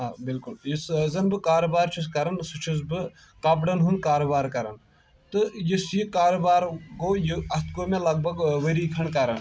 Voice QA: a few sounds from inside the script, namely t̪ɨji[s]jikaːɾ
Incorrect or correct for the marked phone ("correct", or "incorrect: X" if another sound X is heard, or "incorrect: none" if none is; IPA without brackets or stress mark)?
correct